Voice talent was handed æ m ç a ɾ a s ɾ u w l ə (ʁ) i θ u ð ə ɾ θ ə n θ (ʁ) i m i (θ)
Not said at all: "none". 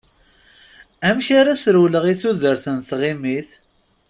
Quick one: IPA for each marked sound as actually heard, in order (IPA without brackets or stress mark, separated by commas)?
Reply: ʁ, ʁ, θ